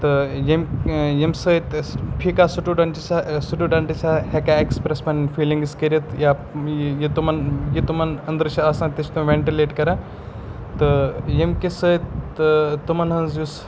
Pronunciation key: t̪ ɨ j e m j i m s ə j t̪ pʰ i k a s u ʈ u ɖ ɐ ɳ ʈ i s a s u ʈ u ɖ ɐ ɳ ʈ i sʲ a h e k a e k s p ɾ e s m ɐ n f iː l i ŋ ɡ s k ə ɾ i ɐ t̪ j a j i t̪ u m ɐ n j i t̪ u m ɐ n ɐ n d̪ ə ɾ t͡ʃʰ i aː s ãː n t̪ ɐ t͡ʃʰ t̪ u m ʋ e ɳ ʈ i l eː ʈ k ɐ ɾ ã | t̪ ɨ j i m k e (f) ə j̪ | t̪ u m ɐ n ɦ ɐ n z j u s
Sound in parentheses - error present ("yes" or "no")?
yes